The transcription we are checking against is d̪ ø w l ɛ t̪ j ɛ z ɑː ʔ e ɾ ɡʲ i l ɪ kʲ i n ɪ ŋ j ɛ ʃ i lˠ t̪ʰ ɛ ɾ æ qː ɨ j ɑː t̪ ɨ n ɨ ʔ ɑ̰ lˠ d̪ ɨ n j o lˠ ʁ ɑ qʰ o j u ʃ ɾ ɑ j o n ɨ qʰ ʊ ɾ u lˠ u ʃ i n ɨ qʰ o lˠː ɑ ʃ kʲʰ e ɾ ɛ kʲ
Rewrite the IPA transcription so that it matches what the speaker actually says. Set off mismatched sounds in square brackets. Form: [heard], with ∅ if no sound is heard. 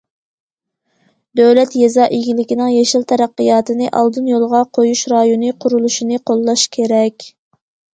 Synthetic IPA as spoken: d̪ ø w l ɛ t̪ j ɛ z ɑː ʔ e [∅] ɡʲ i l ɪ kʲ i n ɪ ŋ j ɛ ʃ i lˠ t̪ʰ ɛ ɾ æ qː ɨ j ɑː t̪ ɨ n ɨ ʔ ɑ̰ lˠ d̪ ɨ n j o lˠ ʁ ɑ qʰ o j u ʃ ɾ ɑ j o n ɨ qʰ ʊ ɾ u lˠ u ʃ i n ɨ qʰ o lˠː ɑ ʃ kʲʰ e ɾ ɛ kʲ

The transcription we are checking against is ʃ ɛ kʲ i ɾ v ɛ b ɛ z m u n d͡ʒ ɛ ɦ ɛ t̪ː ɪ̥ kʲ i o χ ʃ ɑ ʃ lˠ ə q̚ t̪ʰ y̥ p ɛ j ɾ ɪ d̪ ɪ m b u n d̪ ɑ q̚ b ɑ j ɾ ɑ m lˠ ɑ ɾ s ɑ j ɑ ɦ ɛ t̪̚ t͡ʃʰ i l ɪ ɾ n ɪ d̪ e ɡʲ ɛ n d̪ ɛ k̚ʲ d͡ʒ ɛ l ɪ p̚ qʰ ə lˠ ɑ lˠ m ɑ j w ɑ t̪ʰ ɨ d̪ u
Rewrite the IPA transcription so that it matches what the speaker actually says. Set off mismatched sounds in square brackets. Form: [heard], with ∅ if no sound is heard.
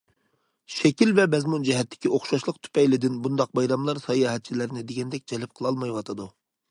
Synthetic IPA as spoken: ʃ ɛ kʲ i [l] v ɛ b ɛ z m u n d͡ʒ ɛ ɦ ɛ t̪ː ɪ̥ kʲ i o χ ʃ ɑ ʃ lˠ ə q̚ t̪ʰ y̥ p ɛ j [l] ɪ d̪ ɪ [n] b u n d̪ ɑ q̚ b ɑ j ɾ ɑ m lˠ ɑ ɾ s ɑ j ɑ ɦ ɛ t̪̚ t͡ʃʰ i l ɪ ɾ n ɪ d̪ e ɡʲ ɛ n d̪ ɛ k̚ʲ d͡ʒ ɛ l ɪ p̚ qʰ ə lˠ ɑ lˠ m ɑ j w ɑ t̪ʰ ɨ d̪ u

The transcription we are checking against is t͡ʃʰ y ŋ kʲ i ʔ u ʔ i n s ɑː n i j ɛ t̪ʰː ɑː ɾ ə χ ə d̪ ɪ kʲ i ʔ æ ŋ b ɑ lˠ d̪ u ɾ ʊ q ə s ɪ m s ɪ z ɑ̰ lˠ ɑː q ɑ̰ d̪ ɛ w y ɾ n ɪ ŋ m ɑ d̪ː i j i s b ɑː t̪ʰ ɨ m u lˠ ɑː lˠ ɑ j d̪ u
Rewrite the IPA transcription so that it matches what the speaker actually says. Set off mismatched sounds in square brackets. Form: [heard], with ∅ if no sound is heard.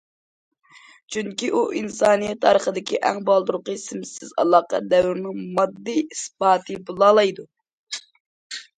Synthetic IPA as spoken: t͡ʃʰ y ŋ kʲ i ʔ u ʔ i n s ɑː n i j ɛ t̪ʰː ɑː ɾ ə χ ə d̪ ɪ kʲ i ʔ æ ŋ b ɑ lˠ d̪ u ɾ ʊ q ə s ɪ m s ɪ z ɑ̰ lˠ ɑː q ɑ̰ d̪ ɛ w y ɾ n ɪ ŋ m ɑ d̪ː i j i s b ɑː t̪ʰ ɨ [b] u lˠ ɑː lˠ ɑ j d̪ u

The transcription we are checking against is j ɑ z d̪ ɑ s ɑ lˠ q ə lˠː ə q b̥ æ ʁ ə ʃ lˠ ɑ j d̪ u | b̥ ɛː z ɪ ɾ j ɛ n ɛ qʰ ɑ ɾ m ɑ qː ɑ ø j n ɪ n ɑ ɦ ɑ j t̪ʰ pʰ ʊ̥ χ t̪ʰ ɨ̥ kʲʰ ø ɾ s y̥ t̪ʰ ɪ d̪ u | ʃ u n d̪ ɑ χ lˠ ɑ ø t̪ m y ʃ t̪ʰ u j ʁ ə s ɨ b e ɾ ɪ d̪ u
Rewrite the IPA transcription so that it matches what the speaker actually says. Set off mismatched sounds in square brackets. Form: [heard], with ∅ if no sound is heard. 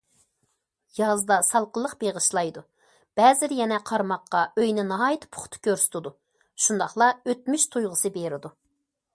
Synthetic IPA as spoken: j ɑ z d̪ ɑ s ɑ lˠ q ə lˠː ə q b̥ [e] ʁ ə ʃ lˠ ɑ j d̪ u | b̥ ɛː z ɪ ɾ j ɛ n ɛ qʰ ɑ ɾ m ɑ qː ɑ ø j n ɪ n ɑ ɦ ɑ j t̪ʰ pʰ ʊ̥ χ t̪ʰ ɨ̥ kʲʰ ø ɾ s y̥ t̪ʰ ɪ d̪ u | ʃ u n d̪ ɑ χ lˠ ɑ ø t̪ m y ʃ t̪ʰ u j ʁ ə s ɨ b e ɾ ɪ d̪ u

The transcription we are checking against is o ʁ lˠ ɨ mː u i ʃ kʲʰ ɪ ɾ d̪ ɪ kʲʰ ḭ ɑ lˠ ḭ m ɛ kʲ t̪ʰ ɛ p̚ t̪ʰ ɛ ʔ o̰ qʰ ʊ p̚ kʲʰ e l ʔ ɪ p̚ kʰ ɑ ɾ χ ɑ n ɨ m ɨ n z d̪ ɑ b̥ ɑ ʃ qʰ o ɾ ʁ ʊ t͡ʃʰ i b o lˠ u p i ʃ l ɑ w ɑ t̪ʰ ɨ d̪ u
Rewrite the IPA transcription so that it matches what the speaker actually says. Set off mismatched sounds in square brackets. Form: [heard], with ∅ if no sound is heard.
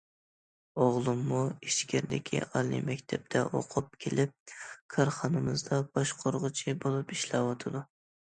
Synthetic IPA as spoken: o ʁ lˠ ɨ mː u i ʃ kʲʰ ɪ ɾ d̪ ɪ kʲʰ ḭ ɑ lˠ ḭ m ɛ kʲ t̪ʰ ɛ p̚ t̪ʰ ɛ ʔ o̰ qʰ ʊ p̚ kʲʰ e l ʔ ɪ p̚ kʰ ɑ ɾ χ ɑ n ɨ m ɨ [∅] z d̪ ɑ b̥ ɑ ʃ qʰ o ɾ ʁ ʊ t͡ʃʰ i b o lˠ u p i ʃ l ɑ w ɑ t̪ʰ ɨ d̪ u

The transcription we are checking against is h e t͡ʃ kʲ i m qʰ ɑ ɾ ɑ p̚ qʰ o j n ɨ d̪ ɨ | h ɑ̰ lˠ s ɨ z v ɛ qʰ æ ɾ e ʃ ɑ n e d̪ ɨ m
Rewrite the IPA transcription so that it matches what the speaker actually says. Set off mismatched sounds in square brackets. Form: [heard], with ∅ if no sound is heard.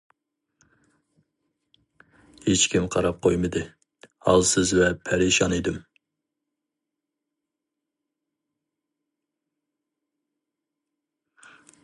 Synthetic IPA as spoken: h e t͡ʃ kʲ i m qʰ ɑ ɾ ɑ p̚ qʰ o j [m] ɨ d̪ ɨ | h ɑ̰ lˠ s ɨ z v ɛ [pʰ] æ ɾ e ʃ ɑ n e d̪ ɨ m

